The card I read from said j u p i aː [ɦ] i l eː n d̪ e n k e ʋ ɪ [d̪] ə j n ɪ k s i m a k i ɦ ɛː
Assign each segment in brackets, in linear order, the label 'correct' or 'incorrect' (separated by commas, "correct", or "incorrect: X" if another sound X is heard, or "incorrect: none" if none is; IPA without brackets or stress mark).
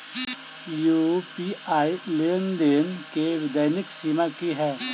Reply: incorrect: none, correct